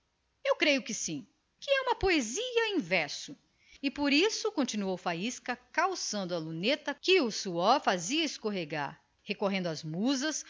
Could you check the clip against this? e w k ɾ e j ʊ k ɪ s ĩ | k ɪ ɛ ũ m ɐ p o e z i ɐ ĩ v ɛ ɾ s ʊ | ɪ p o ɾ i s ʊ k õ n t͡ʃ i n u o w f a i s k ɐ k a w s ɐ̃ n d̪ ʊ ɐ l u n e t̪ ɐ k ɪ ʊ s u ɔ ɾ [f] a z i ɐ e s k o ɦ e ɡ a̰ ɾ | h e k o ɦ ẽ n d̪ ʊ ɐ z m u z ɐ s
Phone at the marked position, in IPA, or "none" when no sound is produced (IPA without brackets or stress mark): f